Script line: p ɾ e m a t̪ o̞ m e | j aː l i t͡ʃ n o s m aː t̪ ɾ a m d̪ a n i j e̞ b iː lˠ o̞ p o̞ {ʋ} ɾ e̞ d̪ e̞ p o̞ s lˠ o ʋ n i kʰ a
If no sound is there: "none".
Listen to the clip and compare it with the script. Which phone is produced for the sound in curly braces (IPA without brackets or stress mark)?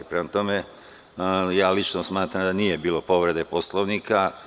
ʋ